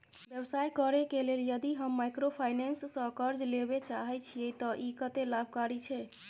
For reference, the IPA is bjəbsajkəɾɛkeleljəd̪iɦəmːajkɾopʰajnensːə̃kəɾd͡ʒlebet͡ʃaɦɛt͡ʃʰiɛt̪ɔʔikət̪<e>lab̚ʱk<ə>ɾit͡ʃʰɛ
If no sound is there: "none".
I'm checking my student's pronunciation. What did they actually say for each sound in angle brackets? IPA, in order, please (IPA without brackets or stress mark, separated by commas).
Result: e, a